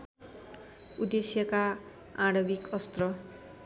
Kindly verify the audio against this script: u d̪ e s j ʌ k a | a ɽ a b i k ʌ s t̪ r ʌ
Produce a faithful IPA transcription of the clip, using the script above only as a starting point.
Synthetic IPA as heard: u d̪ e s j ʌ k a | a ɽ ʌ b i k ʌ s t̪ r ʌ